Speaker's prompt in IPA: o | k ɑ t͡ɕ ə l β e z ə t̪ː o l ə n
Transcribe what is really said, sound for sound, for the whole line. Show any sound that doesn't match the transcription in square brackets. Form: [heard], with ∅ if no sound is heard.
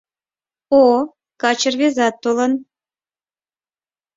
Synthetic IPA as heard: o | k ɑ t͡ɕ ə [r] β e z [ɑ] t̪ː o l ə n